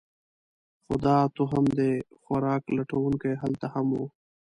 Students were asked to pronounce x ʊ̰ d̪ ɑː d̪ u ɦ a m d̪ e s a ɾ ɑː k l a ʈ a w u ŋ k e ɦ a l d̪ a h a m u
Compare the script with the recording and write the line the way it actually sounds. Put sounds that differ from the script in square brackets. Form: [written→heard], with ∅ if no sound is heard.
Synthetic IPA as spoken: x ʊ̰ d̪ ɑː [d̪→t̪] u ɦ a m d̪ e [s→x] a ɾ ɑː k l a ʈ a w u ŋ k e ɦ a l [d̪→t̪] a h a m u